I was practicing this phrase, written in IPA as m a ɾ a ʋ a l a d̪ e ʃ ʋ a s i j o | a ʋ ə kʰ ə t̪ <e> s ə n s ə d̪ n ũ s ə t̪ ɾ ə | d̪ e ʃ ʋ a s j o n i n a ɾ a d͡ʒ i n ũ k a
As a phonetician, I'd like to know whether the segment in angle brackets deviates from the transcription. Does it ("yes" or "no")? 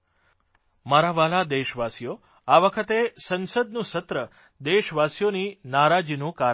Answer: no